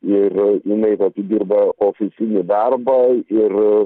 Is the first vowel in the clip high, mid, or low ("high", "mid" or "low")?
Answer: high